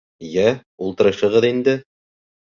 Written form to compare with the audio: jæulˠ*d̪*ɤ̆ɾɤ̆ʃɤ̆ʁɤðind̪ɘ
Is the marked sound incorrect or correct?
incorrect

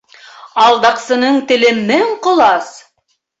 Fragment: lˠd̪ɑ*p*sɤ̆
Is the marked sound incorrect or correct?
incorrect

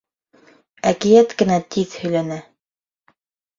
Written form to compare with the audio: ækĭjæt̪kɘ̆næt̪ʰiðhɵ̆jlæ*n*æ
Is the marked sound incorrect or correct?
correct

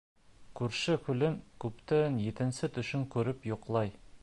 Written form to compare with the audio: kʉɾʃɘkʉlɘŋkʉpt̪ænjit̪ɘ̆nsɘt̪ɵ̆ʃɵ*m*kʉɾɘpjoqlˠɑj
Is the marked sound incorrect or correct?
incorrect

